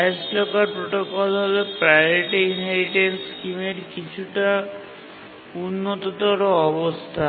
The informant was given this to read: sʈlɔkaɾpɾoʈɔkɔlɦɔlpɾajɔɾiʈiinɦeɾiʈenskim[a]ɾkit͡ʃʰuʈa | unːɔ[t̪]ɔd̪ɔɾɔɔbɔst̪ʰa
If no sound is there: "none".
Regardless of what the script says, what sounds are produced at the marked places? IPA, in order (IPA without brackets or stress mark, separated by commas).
e, t̪